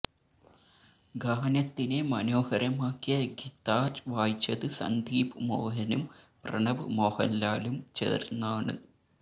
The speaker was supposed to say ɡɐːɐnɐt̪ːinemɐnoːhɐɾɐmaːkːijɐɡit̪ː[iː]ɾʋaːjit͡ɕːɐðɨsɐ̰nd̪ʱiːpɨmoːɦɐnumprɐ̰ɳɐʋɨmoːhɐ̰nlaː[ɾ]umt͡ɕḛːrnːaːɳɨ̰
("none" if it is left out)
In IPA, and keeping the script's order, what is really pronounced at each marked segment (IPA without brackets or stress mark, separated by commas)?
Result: aː, l